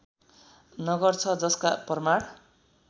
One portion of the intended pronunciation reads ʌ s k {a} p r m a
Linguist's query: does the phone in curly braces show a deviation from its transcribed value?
no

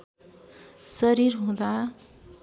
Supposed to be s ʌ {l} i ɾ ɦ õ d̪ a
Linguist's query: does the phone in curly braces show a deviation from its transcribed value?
yes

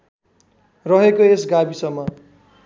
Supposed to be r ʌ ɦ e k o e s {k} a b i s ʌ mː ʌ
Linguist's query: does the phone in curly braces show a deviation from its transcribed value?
yes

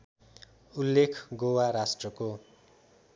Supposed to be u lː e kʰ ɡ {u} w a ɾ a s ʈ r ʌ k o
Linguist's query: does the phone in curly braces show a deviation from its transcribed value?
yes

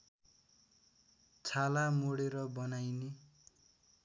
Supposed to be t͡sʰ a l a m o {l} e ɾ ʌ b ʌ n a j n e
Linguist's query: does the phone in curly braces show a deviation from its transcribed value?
yes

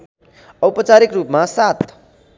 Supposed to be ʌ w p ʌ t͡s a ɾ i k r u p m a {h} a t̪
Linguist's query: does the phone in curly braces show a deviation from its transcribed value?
yes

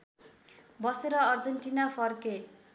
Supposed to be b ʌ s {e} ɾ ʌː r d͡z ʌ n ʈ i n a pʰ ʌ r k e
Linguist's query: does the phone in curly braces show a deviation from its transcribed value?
no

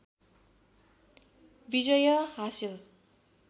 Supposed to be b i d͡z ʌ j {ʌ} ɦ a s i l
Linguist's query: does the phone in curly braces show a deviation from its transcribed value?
no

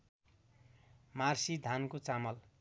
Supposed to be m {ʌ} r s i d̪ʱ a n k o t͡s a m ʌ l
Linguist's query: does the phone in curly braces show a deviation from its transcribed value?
yes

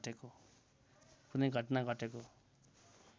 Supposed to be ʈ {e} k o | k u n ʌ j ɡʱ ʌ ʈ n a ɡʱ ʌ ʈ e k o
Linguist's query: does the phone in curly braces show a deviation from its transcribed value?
no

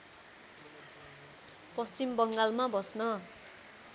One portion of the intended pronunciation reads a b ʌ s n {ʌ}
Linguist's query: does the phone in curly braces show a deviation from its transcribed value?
no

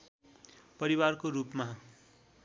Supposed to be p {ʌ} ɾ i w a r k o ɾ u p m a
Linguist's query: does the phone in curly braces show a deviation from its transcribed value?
no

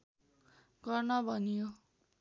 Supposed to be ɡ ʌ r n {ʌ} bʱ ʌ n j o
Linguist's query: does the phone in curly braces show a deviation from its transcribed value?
no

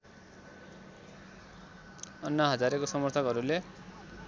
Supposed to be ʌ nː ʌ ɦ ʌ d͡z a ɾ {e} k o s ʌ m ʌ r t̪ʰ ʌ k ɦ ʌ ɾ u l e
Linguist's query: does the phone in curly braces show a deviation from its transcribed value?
no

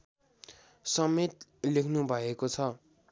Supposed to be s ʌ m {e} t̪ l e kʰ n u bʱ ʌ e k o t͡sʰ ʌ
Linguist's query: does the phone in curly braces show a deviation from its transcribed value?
no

